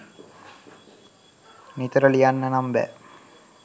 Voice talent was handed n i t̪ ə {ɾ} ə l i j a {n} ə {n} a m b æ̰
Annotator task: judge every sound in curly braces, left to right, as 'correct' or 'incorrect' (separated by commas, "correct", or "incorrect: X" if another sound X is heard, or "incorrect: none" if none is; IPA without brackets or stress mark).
correct, incorrect: nː, correct